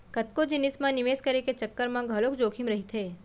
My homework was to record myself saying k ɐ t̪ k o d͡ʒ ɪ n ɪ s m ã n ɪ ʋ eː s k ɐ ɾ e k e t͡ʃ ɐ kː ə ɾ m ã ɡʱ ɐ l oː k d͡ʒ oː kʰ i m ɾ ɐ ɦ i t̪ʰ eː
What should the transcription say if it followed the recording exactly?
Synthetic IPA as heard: k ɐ t̪ k o d͡ʒ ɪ n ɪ s m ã n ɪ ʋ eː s k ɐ ɾ e k e t͡ʃ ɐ kː ə ɾ m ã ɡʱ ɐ l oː k d͡ʒ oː kʰ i m ɾ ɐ ɦ i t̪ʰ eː